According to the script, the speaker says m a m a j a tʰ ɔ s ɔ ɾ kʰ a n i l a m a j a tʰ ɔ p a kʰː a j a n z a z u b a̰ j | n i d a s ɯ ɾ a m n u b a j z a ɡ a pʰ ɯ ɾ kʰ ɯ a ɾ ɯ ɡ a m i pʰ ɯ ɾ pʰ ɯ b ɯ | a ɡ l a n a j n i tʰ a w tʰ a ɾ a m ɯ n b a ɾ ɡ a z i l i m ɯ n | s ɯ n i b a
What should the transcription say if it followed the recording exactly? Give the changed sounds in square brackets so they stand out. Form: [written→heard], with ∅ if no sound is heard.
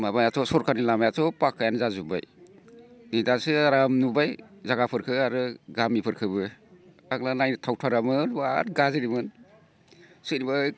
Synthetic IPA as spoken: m a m a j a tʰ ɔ s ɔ ɾ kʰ a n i l a m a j a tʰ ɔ p a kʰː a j a n z a z u b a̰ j | n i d a s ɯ ɾ a m n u b a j z a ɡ a pʰ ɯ ɾ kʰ ɯ a ɾ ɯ ɡ a m i pʰ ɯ ɾ [pʰ→kʰ] ɯ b ɯ | a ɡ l a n a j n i tʰ a w tʰ a ɾ a m ɯ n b a ɾ ɡ a z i [l→ɾ] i m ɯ n | s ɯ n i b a